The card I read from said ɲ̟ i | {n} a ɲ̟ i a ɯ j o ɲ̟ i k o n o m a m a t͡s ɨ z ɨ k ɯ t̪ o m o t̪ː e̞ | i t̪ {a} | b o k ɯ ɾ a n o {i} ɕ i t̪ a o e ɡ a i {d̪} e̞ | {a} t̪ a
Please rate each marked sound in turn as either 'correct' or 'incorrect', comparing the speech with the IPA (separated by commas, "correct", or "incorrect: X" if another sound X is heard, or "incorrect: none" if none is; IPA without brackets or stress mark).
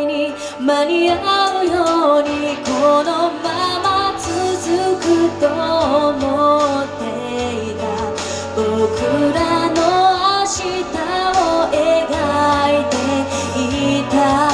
incorrect: m, correct, incorrect: a, incorrect: t̪, incorrect: i